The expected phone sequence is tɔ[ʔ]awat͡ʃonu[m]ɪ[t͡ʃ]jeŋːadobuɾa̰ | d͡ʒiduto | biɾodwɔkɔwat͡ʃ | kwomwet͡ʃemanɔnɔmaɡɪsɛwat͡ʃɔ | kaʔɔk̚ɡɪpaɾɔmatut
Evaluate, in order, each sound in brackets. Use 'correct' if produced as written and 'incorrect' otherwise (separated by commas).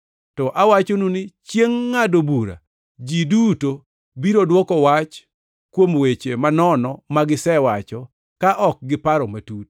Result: correct, incorrect, correct